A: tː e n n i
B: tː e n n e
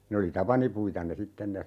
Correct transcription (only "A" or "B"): B